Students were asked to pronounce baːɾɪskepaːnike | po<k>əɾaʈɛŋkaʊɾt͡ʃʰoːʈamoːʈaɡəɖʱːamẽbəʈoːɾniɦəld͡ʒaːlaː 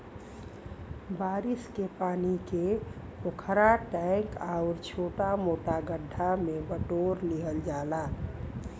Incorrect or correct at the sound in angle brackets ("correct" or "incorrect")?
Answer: incorrect